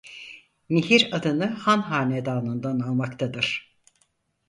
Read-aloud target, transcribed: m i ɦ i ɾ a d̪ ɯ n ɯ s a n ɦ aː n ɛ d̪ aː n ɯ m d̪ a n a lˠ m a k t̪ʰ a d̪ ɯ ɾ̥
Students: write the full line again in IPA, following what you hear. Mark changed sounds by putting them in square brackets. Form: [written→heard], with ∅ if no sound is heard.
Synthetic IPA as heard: m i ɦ i ɾ a d̪ ɯ n ɯ [s→h] a n ɦ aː n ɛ d̪ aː n ɯ [m→n] d̪ a n a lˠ m a k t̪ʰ a d̪ ɯ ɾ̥

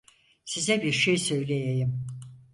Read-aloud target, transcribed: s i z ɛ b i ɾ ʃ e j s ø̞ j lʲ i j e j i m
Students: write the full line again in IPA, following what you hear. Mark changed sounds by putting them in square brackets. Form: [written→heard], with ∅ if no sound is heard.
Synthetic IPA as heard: s i z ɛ b i ɾ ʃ e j s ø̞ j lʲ [i→e] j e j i m

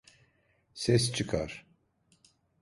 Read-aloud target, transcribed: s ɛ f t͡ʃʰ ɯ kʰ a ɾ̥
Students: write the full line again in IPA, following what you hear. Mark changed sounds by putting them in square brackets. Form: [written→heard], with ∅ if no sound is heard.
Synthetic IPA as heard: s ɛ [f→s] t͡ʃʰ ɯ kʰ a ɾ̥

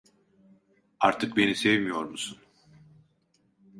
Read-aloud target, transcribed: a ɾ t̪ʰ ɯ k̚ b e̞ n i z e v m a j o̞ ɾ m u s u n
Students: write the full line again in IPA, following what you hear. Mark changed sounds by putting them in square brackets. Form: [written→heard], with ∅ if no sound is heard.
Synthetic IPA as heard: a ɾ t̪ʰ ɯ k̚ b e̞ n i [z→s] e v m [a→i] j o̞ ɾ m u s u n

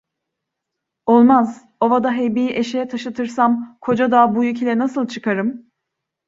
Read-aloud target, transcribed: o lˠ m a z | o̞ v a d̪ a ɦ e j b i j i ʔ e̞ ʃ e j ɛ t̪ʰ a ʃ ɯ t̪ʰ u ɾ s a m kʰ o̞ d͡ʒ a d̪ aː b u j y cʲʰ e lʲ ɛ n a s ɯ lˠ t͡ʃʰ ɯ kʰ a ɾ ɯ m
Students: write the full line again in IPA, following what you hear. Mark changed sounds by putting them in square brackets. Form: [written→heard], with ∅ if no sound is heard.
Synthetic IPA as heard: o lˠ m a z | o̞ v a d̪ a ɦ e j b i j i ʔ e̞ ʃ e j ɛ t̪ʰ a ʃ ɯ t̪ʰ [u→ɯ] ɾ s a m kʰ o̞ d͡ʒ a d̪ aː b u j y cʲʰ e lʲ ɛ n a s ɯ lˠ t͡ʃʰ ɯ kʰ a ɾ ɯ m

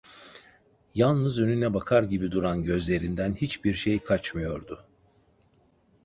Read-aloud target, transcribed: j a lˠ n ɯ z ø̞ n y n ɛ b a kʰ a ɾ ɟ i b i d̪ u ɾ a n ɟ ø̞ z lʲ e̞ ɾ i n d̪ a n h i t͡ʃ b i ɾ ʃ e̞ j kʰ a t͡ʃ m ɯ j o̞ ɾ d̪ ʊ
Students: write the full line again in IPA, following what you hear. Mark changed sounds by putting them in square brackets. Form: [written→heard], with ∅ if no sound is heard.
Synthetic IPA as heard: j a lˠ n ɯ z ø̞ n y n ɛ b a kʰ a ɾ ɟ i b i d̪ u ɾ a n ɟ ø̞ z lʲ e̞ ɾ i n d̪ [a→æ] n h i t͡ʃ b i ɾ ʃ e̞ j kʰ a t͡ʃ m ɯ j o̞ ɾ d̪ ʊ

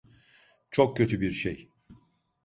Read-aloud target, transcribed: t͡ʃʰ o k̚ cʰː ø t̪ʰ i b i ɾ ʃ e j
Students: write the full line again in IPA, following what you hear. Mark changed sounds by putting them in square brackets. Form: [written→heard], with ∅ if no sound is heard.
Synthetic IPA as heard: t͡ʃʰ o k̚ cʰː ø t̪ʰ [i→y] b i ɾ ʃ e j

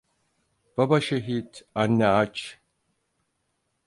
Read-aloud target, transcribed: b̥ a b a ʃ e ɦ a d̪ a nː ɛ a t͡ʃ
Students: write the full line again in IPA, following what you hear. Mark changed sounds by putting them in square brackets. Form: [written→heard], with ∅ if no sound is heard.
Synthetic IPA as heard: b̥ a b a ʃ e ɦ [a→i] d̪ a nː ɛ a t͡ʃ

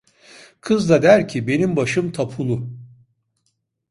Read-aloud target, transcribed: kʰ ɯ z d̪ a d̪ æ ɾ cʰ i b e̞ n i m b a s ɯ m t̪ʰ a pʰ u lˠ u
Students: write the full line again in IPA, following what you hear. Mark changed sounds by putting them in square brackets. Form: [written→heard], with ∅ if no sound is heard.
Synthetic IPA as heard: kʰ ɯ z d̪ a d̪ æ ɾ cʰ i b e̞ n i m b a [s→ʃ] ɯ m t̪ʰ a pʰ u lˠ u

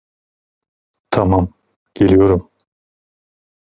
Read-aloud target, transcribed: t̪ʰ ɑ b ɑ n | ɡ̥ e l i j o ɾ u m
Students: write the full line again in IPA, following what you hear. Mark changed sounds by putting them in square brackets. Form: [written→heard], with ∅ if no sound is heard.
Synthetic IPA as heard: t̪ʰ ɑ [b→m] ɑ [n→m] | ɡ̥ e l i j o ɾ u m

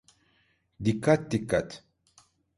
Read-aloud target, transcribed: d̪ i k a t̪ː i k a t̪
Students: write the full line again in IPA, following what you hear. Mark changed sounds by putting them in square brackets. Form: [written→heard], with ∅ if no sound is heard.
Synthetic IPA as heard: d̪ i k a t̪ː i k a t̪

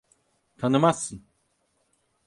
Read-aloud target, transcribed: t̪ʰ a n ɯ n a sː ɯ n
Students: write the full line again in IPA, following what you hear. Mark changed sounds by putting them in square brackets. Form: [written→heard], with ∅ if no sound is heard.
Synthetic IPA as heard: t̪ʰ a n ɯ [n→m] a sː ɯ n

